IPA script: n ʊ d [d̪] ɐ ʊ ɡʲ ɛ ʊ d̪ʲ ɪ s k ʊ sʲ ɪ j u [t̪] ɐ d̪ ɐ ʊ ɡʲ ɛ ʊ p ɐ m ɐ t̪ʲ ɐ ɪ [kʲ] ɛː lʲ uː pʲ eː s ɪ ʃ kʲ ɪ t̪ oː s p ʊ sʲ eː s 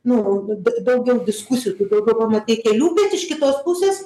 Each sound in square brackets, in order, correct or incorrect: correct, correct, correct

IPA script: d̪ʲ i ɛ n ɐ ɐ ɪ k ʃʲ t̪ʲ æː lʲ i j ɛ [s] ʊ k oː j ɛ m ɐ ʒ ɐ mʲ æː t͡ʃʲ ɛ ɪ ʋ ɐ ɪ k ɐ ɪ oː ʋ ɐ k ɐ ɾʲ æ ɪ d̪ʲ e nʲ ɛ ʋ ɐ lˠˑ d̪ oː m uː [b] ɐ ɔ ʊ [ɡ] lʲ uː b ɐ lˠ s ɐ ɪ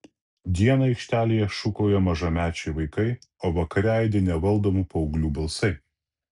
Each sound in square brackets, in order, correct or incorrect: incorrect, incorrect, correct

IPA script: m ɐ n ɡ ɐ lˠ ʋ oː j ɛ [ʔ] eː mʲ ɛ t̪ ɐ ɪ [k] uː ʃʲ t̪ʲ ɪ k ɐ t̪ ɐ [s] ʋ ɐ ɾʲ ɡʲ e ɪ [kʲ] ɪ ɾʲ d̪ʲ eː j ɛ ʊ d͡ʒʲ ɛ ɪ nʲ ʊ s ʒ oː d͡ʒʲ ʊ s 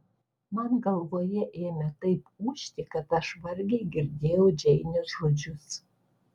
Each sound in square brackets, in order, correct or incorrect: correct, incorrect, incorrect, incorrect

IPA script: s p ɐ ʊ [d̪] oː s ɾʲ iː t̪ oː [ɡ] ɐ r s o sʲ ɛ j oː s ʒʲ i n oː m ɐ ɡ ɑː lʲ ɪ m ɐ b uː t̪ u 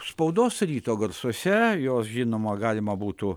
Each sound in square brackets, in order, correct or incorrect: correct, correct

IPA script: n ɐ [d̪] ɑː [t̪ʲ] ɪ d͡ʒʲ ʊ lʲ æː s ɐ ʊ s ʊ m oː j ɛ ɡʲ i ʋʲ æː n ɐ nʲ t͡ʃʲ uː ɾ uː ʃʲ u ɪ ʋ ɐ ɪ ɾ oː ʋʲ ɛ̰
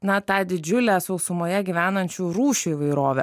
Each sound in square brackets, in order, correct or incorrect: incorrect, incorrect

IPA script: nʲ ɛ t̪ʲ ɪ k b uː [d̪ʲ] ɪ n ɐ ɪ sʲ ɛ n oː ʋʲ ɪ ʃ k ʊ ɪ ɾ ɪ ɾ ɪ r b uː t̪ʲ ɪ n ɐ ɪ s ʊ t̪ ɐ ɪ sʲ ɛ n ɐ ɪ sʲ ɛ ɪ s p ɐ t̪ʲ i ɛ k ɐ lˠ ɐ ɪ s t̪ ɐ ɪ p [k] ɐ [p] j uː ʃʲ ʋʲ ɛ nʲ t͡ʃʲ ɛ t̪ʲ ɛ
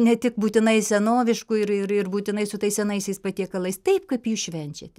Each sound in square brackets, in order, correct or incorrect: incorrect, correct, correct

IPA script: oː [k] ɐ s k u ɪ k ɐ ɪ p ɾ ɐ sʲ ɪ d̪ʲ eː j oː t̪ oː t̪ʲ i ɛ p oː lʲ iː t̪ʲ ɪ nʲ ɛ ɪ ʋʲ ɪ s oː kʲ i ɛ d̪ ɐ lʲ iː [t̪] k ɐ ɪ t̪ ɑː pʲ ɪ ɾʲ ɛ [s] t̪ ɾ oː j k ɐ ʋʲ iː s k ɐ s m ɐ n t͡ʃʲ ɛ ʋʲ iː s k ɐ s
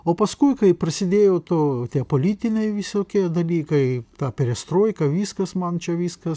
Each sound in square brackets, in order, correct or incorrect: incorrect, incorrect, correct

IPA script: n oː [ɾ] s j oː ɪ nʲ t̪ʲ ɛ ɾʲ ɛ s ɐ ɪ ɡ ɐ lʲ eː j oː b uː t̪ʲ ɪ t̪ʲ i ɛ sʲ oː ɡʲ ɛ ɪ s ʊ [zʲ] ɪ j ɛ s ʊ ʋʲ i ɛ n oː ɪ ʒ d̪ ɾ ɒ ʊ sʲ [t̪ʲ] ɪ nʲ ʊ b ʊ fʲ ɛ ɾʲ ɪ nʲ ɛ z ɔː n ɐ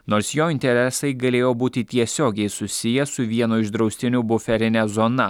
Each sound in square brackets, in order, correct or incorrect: correct, incorrect, correct

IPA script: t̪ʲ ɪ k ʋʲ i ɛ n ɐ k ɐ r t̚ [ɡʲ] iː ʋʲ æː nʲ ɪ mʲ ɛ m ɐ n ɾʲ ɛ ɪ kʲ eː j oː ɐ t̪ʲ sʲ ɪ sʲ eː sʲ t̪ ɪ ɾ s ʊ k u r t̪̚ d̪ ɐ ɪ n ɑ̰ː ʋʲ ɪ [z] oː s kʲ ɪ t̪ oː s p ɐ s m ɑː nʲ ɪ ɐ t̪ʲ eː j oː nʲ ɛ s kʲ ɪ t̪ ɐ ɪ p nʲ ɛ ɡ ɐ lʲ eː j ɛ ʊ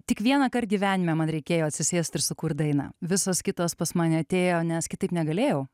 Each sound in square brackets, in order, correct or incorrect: correct, incorrect

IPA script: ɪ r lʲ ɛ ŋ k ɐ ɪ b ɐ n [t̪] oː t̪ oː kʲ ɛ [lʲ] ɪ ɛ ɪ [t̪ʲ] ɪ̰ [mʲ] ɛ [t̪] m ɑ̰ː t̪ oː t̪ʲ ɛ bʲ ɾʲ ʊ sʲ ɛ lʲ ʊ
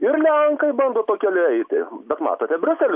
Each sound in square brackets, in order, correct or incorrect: incorrect, correct, correct, incorrect, correct

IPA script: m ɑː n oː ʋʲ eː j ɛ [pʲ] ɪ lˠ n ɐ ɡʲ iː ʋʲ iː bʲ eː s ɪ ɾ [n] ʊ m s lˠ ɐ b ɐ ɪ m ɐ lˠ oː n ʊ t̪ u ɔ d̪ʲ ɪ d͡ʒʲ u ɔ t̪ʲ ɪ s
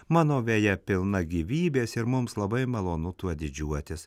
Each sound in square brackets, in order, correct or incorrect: correct, incorrect

